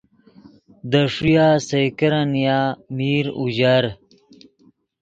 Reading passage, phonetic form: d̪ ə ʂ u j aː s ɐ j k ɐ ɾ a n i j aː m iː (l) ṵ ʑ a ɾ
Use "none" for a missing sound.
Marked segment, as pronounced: ɾ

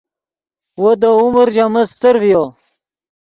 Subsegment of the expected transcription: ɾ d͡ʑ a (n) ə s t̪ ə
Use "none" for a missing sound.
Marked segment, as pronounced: m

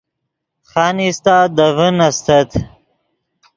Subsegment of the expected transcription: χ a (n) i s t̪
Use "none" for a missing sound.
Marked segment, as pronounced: n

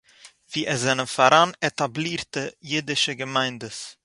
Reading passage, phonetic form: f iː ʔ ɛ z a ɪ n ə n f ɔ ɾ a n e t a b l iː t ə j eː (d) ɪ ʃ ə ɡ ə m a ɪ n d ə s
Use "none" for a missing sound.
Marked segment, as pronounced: d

